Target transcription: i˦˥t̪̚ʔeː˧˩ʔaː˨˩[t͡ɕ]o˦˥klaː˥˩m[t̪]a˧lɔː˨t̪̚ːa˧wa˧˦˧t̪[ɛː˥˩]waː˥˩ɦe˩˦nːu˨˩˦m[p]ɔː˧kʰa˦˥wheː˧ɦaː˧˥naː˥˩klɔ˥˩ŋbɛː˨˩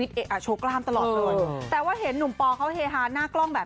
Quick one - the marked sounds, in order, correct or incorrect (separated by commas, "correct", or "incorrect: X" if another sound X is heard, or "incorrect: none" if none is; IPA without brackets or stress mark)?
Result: incorrect: t͡ɕʰ, correct, incorrect: ɛː˨˩, correct